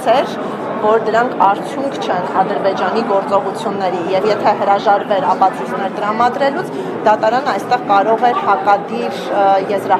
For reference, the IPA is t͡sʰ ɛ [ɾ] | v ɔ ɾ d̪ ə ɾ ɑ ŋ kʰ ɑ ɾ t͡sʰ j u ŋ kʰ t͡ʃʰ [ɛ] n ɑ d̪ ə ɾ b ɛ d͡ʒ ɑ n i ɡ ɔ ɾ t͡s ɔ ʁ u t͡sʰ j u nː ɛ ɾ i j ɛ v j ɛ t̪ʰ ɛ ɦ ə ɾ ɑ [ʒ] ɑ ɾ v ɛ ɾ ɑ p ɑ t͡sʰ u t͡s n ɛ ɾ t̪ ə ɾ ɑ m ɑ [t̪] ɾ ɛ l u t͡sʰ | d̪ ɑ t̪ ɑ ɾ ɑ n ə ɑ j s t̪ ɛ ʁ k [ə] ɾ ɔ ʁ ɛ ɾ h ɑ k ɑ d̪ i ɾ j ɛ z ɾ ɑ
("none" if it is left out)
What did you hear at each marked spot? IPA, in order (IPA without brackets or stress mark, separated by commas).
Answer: ɾ, ɛ, ʒ, d̪, ɑ